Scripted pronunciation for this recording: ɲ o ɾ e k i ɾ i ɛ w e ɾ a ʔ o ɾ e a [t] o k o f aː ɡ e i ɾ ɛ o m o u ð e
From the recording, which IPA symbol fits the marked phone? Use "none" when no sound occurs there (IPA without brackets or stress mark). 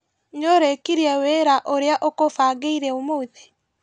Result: ʔ